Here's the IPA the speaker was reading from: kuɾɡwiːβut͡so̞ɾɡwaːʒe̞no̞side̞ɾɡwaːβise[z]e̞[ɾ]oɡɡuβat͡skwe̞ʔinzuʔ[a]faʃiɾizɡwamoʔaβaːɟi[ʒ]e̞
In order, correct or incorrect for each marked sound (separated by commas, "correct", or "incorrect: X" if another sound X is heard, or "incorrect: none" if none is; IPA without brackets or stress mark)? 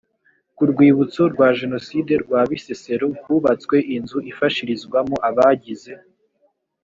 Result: incorrect: s, correct, incorrect: i, incorrect: z